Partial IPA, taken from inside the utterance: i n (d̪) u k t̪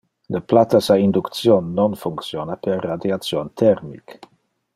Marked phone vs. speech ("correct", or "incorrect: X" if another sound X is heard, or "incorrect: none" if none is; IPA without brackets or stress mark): correct